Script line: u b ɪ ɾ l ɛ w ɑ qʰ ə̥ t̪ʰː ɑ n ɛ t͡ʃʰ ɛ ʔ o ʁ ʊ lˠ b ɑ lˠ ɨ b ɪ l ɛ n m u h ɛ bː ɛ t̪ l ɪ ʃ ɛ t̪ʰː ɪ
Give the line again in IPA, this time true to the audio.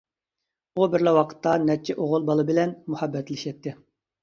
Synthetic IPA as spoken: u b ɪ ɾ l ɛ w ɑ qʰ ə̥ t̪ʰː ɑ n ɛ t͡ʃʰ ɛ ʔ o ʁ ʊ lˠ b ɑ lˠ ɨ b ɪ l ɛ n m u h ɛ bː ɛ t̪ l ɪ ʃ ɛ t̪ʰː ɪ

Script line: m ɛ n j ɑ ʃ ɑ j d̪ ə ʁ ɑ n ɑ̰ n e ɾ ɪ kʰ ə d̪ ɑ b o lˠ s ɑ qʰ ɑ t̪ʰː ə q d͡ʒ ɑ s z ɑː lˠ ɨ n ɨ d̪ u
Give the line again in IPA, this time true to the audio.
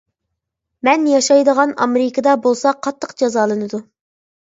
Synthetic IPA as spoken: m ɛ n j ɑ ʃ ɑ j d̪ ə ʁ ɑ n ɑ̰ m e ɾ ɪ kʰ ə d̪ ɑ b o lˠ s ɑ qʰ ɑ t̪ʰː ə q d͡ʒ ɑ z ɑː lˠ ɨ n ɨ d̪ u

